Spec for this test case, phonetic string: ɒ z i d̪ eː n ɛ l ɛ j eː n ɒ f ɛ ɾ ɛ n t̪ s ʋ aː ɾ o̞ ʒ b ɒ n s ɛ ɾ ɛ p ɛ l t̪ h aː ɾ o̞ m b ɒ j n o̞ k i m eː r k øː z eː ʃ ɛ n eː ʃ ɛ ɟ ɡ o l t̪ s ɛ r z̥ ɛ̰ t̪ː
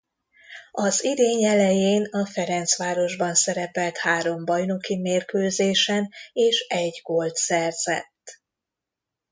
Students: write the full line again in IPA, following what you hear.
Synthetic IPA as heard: ɒ z i d̪ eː ɲ ɛ l ɛ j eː n ɒ f ɛ ɾ ɛ n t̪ s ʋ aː ɾ o̞ ʒ b ɒ n s ɛ ɾ ɛ p ɛ l t̪ h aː ɾ o̞ m b ɒ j n o̞ k i m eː r k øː z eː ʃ ɛ n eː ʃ ɛ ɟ ɡ o l t̪ s ɛ r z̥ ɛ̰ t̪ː